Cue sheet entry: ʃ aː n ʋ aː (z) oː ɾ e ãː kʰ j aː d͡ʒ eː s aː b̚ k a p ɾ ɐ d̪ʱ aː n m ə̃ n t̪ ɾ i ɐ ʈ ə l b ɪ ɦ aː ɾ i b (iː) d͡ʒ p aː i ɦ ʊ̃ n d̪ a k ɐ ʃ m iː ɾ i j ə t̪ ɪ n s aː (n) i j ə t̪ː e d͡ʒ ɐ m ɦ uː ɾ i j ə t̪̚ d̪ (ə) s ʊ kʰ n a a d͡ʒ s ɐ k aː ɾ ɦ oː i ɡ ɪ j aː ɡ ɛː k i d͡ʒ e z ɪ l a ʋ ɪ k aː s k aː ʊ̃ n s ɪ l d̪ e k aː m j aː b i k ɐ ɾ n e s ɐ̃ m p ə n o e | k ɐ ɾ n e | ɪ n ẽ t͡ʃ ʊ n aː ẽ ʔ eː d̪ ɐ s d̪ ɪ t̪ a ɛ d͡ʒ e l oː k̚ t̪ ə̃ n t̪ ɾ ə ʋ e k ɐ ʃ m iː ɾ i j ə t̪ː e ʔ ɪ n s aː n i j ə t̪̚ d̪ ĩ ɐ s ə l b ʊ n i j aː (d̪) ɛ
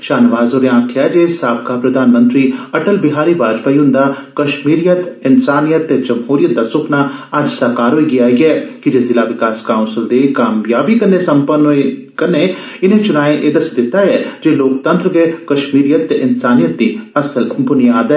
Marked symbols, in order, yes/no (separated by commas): yes, no, yes, no, yes